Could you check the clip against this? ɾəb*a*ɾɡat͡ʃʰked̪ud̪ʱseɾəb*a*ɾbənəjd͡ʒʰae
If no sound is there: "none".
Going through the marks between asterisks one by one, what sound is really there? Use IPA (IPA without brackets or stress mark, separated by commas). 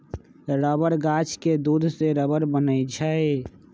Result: ə, ə